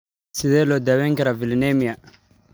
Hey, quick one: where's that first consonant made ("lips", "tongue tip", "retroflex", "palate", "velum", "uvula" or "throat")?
tongue tip